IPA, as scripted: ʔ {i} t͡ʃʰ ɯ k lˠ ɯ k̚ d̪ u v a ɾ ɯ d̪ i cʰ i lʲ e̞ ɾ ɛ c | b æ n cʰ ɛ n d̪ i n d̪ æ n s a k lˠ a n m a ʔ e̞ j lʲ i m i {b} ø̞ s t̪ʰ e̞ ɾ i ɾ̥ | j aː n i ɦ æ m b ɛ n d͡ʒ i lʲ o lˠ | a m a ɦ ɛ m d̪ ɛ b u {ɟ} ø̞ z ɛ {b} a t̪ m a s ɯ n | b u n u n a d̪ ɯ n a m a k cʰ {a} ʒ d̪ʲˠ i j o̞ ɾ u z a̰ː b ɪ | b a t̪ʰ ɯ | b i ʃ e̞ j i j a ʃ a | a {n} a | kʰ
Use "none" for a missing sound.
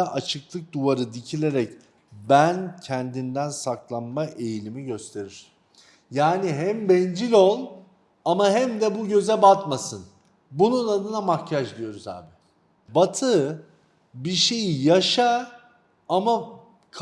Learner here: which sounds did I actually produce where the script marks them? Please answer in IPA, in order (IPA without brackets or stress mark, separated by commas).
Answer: a, ɟ, ɟ, b, a, m